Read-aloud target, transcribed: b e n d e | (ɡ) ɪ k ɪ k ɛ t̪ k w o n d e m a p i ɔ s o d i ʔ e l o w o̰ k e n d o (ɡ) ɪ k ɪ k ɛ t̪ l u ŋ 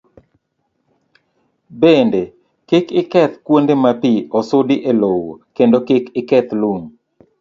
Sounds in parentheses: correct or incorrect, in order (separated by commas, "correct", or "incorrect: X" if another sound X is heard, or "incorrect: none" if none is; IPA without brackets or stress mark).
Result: incorrect: k, incorrect: k